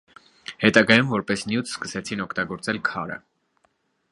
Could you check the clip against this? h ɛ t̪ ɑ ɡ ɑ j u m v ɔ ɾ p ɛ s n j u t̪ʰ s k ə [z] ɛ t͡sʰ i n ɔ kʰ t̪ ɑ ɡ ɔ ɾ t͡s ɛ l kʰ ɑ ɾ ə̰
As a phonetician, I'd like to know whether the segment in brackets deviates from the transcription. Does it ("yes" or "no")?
yes